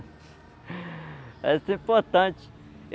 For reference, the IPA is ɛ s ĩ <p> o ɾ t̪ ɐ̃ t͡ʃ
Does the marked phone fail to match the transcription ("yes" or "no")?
no